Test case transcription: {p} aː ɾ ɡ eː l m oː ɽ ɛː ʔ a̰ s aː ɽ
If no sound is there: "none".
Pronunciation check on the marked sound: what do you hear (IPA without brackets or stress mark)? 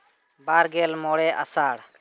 b